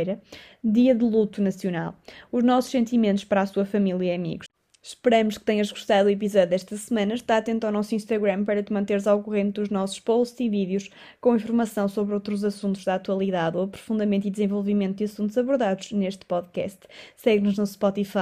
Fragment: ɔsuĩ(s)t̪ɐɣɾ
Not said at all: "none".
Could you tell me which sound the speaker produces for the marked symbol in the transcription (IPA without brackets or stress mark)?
ʃ